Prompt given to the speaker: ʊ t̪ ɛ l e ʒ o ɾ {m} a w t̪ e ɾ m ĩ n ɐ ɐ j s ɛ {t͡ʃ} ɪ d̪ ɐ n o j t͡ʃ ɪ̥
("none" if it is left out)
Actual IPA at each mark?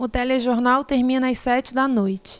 n, t͡ʃ

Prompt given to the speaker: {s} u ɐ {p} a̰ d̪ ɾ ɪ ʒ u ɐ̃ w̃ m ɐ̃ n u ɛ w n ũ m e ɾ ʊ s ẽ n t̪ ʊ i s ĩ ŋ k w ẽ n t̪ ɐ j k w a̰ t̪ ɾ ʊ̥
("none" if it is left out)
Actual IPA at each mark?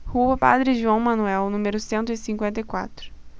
h, p

